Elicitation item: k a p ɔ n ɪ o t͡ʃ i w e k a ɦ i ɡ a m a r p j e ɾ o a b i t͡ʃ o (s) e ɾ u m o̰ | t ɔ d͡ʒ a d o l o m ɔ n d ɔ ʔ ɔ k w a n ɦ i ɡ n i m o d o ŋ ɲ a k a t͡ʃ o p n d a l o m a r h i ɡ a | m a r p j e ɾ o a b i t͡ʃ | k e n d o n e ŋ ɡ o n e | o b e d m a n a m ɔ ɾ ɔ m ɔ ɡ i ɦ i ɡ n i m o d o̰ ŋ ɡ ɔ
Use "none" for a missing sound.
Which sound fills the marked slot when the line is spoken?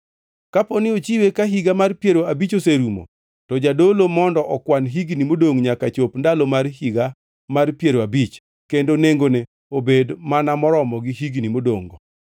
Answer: s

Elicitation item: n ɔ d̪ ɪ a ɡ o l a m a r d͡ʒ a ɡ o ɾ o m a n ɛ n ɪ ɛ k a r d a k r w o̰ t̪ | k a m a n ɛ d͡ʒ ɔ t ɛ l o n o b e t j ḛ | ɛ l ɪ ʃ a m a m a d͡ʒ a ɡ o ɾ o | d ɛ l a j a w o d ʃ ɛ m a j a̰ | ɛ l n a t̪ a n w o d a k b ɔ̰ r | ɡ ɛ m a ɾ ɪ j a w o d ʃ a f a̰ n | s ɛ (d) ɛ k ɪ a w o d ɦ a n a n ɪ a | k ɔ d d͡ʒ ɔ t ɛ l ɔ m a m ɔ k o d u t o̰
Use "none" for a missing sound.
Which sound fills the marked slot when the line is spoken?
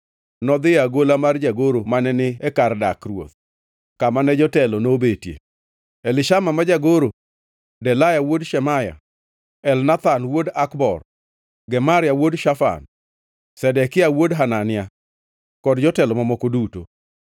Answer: d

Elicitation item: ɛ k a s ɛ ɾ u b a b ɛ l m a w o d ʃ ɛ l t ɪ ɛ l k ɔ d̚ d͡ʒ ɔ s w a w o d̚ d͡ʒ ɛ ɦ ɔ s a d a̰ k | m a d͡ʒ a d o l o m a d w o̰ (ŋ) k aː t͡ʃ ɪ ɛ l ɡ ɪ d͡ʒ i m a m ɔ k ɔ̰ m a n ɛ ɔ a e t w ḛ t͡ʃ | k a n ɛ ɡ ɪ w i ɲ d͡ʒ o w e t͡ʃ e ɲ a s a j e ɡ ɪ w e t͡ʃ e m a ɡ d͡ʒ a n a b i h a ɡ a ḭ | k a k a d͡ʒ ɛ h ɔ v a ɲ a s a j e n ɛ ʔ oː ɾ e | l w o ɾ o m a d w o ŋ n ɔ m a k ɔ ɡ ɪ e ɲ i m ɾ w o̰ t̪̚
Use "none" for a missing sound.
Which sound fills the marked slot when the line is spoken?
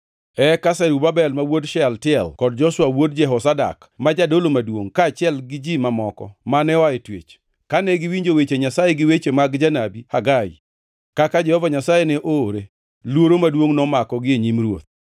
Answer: ŋ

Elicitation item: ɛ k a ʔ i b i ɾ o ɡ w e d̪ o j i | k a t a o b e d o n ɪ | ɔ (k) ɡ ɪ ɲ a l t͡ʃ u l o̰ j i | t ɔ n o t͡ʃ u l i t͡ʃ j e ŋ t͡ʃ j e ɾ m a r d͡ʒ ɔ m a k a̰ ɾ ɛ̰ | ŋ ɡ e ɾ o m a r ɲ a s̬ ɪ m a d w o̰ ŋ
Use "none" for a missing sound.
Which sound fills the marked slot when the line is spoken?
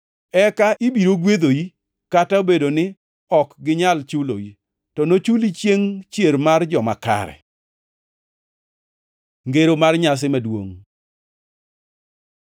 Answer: k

